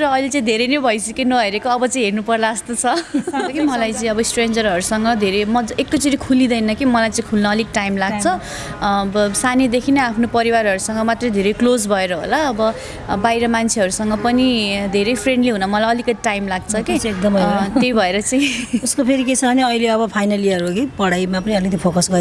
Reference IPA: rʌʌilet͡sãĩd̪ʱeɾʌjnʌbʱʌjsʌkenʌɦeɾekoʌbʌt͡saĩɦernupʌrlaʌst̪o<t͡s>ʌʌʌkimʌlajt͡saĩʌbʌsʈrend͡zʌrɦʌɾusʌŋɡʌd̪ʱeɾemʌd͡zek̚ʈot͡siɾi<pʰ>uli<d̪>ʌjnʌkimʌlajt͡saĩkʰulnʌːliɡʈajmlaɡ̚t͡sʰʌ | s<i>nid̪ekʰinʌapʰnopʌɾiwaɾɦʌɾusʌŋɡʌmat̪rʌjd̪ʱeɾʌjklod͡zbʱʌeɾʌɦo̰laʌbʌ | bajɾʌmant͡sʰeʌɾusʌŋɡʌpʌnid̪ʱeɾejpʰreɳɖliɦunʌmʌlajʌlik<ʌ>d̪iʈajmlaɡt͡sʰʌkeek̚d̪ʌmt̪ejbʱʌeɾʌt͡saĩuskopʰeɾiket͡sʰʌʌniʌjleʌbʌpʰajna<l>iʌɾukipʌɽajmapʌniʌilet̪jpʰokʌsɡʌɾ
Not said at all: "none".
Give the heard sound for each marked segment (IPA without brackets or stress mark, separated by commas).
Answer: t͡sʰ, kʰ, d̪, a, ʌ, l